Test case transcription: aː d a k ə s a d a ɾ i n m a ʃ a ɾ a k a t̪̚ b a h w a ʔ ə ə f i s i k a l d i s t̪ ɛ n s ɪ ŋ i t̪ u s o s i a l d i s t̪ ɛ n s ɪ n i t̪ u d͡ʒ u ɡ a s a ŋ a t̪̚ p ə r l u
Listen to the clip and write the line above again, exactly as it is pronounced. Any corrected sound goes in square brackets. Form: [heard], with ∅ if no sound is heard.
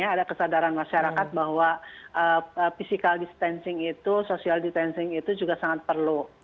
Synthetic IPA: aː d a k ə s a d a ɾ [a] n m a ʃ a ɾ a k a t̪̚ b a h w a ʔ ə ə f i s i k a l d i s t̪ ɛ n s ɪ ŋ i t̪ u s o s i a l d i s t̪ ɛ n s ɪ [ŋ] i t̪ u d͡ʒ u ɡ a s a ŋ a t̪̚ p ə r l u